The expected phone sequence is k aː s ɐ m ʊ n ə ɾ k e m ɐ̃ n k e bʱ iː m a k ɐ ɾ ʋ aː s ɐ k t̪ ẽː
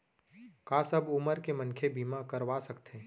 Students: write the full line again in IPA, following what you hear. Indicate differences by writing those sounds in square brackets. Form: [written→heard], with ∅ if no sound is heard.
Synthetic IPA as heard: k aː s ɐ [m→b] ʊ [n→m] ə ɾ k e m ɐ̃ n [k→kʰ] e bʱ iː m a k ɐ ɾ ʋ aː s ɐ k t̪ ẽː